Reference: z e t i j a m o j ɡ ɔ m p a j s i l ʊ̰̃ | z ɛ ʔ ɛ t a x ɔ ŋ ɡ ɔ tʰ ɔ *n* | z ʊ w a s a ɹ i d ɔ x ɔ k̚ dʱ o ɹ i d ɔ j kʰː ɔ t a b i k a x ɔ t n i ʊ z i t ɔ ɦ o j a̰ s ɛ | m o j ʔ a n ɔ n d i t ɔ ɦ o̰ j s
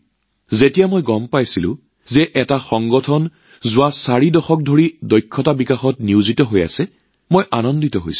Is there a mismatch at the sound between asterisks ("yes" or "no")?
no